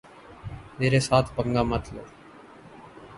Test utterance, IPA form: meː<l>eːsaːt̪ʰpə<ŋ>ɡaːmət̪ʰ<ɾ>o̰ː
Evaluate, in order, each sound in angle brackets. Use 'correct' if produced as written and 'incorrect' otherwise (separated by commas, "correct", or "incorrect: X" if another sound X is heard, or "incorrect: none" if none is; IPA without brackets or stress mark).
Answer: incorrect: ɾ, correct, incorrect: l